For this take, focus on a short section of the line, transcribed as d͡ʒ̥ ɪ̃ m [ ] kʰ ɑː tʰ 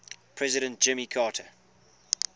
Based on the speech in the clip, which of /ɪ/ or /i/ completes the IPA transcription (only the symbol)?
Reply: i